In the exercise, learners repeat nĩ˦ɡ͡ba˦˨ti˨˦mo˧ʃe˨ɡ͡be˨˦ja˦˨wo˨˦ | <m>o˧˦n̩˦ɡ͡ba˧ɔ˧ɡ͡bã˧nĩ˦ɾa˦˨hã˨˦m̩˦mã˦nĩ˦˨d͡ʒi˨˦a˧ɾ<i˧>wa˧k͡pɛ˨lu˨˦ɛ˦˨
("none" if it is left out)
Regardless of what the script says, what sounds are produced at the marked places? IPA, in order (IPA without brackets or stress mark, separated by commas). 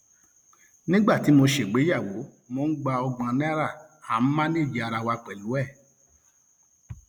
m, a˧